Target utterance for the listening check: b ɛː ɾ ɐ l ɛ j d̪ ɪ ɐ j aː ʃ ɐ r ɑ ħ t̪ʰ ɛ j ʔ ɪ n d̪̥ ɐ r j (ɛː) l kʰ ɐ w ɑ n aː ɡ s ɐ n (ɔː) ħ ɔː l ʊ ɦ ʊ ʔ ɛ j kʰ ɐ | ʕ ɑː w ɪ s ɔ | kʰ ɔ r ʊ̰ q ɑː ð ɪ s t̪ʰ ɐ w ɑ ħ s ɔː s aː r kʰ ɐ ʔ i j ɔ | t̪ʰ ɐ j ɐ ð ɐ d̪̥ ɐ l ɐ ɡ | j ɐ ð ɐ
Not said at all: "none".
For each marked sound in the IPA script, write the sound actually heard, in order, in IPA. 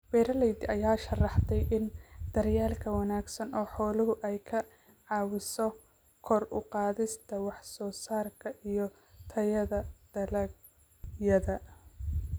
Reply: aː, ɔː

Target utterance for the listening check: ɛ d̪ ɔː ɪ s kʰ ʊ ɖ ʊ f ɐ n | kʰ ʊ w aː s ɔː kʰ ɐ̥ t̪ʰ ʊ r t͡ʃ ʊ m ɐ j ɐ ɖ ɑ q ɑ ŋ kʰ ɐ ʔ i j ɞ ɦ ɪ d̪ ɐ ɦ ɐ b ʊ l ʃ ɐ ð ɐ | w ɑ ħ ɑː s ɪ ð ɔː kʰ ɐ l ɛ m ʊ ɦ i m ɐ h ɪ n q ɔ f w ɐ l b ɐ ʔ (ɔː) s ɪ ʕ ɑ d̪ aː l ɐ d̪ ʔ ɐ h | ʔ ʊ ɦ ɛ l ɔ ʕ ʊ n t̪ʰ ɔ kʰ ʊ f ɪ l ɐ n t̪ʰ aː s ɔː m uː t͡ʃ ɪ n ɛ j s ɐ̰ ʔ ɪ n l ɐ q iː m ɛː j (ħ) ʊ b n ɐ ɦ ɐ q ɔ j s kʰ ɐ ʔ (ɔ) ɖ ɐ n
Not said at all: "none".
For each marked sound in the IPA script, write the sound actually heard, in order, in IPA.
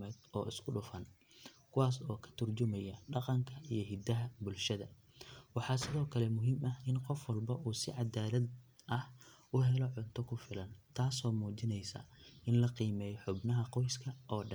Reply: uː, ħ, ɔː

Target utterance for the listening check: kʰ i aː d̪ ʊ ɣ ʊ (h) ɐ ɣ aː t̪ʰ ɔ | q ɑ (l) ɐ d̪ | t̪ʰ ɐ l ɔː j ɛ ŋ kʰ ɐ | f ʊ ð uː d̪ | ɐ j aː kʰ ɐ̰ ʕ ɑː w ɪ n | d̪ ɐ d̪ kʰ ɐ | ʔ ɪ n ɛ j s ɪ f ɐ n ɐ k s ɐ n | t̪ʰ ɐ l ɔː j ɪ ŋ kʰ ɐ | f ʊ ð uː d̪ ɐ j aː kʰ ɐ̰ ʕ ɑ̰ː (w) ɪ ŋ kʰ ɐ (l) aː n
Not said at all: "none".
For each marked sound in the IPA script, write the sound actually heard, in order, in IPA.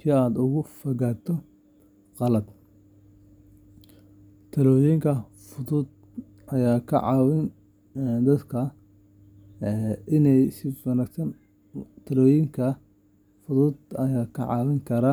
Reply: f, l, w, ɾ

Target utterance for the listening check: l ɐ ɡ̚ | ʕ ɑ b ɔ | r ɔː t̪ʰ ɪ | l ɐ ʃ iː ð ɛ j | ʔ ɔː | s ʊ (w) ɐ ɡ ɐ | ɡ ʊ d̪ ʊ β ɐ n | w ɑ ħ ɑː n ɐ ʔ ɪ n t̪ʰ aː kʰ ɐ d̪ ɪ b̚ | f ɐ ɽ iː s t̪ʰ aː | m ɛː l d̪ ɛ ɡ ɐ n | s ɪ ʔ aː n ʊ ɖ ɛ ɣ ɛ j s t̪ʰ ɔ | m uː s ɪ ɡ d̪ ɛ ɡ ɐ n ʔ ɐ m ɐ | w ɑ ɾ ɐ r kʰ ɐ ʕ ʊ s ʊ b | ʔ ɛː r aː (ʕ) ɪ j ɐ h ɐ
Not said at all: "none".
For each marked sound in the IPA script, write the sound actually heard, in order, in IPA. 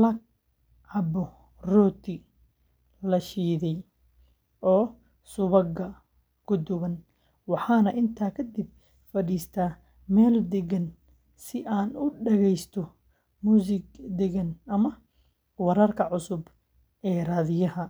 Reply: β, ð

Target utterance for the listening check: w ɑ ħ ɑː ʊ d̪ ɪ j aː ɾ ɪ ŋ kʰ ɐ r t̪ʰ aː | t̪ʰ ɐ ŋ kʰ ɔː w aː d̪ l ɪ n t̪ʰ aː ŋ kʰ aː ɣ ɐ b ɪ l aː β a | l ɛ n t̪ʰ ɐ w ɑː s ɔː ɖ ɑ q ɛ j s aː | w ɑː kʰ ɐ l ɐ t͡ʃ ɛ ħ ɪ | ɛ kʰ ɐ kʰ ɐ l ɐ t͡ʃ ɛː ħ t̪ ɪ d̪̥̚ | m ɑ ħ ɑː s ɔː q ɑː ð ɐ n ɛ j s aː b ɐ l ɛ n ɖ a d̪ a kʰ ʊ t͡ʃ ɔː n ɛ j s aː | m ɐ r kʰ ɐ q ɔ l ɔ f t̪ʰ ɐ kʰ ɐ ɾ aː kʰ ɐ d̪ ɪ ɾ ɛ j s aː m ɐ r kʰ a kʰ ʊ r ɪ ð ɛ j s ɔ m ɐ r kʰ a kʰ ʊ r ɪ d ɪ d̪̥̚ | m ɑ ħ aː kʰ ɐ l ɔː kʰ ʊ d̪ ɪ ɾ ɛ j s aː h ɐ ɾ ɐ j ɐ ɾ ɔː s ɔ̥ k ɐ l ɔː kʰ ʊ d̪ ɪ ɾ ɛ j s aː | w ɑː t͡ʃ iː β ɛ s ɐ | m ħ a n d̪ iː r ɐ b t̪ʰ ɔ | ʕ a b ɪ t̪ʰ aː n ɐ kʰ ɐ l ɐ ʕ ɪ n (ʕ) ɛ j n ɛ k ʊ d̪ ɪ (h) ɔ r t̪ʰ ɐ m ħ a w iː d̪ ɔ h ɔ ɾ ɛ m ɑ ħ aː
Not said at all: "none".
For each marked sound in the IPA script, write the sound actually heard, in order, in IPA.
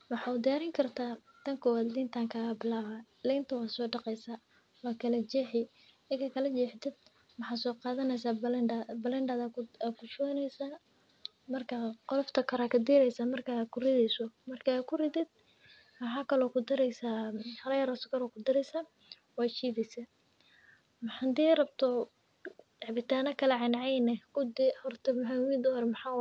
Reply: ʕ, h

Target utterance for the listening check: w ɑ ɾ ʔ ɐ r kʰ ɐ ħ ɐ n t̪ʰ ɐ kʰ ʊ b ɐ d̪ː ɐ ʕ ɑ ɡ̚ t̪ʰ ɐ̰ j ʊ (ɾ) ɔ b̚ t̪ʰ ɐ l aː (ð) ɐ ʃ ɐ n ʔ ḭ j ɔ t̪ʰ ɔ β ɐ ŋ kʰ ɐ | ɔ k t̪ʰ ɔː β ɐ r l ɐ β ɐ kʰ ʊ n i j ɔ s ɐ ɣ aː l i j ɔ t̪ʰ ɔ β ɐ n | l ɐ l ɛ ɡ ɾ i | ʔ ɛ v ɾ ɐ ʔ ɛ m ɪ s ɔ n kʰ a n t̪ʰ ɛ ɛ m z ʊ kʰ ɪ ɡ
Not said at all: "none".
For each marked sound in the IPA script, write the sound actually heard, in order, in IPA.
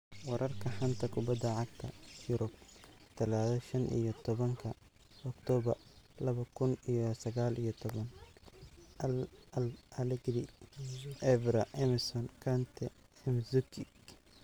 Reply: ɾ, ð

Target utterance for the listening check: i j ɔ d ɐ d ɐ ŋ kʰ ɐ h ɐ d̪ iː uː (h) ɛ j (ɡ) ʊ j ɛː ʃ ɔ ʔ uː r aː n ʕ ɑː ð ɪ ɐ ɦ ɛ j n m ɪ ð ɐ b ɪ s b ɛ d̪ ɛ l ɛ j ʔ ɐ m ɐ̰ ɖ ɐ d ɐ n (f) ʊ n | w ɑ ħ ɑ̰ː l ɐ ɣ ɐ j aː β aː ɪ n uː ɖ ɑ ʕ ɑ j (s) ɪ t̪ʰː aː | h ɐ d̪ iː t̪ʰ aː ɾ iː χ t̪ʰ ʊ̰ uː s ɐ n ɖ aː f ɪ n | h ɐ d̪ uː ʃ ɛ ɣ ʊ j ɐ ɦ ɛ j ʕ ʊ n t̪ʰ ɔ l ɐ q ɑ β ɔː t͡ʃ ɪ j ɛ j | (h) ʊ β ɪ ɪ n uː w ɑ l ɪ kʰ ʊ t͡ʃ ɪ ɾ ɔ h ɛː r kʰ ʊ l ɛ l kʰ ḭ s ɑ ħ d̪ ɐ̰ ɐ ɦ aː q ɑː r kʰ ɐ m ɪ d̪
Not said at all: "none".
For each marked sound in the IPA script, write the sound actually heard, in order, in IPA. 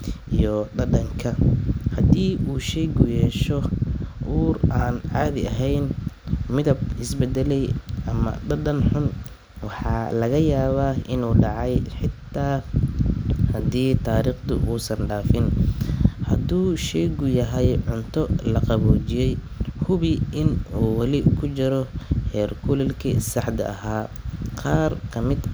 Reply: ʃ, ɡ, ħ, ħ, h

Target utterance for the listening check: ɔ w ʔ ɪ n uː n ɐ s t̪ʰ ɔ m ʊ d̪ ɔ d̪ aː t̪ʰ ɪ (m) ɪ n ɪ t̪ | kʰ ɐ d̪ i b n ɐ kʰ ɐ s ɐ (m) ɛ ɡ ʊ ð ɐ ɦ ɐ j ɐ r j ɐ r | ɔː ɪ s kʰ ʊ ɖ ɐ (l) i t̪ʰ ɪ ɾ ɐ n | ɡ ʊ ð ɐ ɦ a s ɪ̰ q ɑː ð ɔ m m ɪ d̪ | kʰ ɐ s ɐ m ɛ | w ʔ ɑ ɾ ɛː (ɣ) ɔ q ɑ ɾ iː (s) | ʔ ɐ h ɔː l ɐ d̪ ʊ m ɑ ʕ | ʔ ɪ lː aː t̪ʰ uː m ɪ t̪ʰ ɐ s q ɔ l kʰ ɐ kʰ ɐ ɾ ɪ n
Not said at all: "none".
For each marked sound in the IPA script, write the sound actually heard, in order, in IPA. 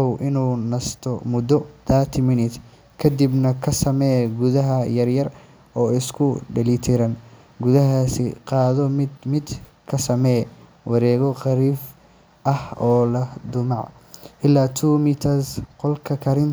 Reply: m, m, l, ɣ, f

